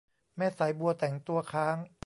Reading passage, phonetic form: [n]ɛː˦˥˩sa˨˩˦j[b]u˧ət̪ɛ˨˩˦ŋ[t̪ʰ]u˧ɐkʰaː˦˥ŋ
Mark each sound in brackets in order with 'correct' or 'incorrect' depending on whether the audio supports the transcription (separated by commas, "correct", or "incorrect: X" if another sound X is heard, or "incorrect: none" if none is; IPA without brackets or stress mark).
incorrect: m, correct, incorrect: t̪